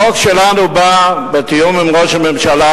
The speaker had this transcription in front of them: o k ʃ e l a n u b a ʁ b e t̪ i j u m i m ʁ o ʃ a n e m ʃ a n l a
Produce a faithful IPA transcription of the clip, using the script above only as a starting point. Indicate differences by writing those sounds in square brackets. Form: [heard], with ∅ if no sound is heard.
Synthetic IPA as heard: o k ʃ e l a n u b a [∅] b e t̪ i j u m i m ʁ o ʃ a [m] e m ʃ a [∅] l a